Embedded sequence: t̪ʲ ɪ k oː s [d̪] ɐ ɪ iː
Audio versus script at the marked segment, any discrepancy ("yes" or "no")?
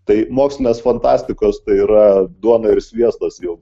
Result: yes